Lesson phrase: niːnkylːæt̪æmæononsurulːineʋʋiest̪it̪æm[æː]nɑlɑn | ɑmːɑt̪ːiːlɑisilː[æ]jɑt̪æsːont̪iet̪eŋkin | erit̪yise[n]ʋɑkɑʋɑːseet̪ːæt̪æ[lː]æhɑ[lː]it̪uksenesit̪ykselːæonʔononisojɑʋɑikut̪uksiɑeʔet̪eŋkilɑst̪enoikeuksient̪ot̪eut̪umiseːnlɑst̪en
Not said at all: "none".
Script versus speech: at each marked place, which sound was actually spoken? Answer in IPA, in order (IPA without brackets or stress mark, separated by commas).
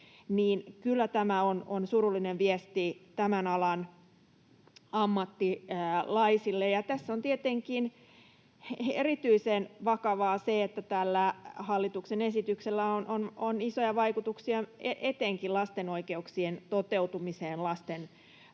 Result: æ, e, n, lː, lː